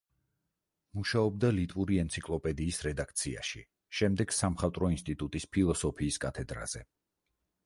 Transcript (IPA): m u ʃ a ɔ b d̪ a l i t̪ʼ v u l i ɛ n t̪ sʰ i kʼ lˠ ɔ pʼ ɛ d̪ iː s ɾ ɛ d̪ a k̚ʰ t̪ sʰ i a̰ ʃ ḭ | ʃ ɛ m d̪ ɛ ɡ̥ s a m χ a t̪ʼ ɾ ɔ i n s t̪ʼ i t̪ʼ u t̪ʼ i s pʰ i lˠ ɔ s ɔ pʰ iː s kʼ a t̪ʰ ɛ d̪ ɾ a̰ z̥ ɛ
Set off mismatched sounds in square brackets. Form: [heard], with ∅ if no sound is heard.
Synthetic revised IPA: m u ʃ a ɔ b d̪ a l i t̪ʼ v u [ɾ] i ɛ n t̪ sʰ i kʼ lˠ ɔ pʼ ɛ d̪ iː s ɾ ɛ d̪ a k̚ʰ t̪ sʰ i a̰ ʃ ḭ | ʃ ɛ m d̪ ɛ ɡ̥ s a m χ a t̪ʼ ɾ ɔ i n s t̪ʼ i t̪ʼ u t̪ʼ i s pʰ i lˠ ɔ s ɔ pʰ iː s kʼ a t̪ʰ ɛ d̪ ɾ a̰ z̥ ɛ